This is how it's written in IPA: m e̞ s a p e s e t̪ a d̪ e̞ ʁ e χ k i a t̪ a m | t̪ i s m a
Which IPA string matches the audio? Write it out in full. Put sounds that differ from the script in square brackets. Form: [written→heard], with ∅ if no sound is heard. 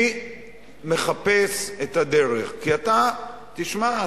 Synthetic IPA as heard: m e̞ [s→χ] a p e s e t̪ a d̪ e̞ ʁ e χ k i a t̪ a [m→∅] | t̪ i [s→ʃ] m a